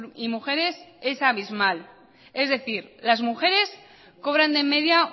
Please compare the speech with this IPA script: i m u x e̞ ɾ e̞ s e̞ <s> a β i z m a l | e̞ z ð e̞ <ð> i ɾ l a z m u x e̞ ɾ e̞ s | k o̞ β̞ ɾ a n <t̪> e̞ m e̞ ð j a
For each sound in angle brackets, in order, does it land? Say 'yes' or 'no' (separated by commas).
yes, no, no